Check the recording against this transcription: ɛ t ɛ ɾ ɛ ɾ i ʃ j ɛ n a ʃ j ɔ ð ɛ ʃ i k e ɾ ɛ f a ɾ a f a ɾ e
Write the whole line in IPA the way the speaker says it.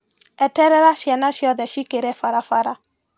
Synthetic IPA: ɛ t ɛ ɾ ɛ ɾ a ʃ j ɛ n a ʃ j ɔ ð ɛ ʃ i k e ɾ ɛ f a ɾ a f a ɾ a

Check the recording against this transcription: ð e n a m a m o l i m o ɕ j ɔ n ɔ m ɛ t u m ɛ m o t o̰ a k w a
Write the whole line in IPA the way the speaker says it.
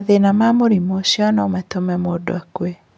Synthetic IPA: ð e n a m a m o ɾ i m o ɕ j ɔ n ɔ m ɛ t o m ɛ m o d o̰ a k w e

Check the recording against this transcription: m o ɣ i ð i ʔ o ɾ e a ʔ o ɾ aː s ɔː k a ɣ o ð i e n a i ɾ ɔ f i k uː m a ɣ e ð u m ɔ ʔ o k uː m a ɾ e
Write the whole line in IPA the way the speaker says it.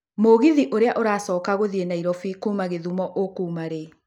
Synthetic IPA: m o ɣ i ð i ʔ o ɾ e a ʔ o ɾ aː s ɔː k a ɣ o ð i e n a i ɾ ɔ f i k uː m a ɣ e ð u m ɔ ʔ o k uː m a ɾ e

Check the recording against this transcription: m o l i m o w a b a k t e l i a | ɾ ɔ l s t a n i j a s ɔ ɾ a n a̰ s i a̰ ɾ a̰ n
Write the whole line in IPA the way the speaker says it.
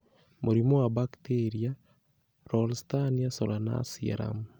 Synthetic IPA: m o ɾ i m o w a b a k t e ɾ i a | ɾ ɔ l s t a n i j a s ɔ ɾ a n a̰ s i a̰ ɾ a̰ m

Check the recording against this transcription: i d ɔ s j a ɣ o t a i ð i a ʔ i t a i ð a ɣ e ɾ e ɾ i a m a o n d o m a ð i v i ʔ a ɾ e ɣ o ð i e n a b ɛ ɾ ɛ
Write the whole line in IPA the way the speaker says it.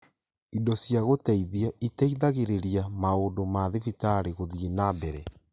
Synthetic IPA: i d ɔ s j a ɣ o t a i ð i a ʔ i t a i ð a ɣ e ɾ e ɾ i a m a o n d o m a ð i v i t a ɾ e ɣ o ð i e n a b ɛ ɾ ɛ

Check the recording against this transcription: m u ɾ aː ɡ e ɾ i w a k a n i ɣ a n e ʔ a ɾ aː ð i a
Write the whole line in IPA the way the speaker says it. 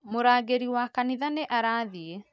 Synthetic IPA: m o ɾ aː ɡ e ɾ i w a k a n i ð a n e ʔ a ɾ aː ð i e

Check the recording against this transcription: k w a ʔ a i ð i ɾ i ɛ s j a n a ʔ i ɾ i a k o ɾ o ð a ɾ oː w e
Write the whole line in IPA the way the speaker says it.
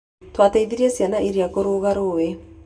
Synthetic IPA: t w a t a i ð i ɾ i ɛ s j a n a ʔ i ɾ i a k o ɾ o ɣ a ɾ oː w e

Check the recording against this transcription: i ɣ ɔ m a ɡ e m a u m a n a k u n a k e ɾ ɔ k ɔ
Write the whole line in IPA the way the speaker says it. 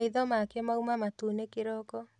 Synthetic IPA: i ð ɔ m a k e m a u m a m a t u n e k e ɾ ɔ k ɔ

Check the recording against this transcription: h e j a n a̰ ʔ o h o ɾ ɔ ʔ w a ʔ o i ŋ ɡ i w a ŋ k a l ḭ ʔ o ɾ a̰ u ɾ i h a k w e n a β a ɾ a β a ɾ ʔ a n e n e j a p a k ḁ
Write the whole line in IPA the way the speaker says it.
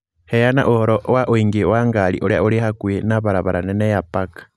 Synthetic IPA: h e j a n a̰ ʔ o h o ɾ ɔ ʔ w a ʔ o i ŋ ɡ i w a ŋ ɡ a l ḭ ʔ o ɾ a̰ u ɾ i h a k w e n a β a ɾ a β a ɾ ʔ a n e n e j a p a k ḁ

